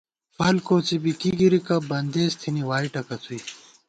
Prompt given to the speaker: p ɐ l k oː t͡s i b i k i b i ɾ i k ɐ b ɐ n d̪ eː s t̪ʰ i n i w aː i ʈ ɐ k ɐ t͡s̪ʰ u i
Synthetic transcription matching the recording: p ɐ l k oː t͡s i b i k i ɡ i ɾ i k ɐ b ɐ n d̪ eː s t̪ʰ i n i w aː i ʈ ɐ k ɐ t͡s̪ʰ u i